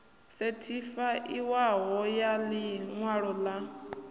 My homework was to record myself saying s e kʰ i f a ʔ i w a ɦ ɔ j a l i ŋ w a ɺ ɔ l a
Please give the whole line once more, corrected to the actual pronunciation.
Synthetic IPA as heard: s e tʰ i f a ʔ i w a ɦ ɔ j a l i ŋ w a ɺ ɔ l a